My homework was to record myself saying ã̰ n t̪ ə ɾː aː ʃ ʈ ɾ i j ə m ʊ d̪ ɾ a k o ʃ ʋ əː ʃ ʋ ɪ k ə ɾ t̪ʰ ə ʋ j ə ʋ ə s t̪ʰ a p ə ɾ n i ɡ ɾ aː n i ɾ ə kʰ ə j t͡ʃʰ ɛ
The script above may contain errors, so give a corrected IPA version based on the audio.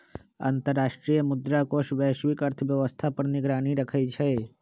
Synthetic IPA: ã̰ n t̪ ə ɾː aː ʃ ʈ ɾ i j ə m ʊ d̪ ɾ a k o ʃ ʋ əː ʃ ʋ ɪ k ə ɾ t̪ʰ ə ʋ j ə ʋ ə s t̪ʰ a p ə ɾ n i ɡ ɾ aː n i ɾ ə kʰ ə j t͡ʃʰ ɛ